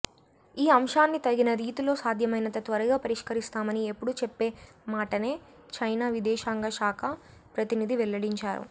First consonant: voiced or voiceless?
voiced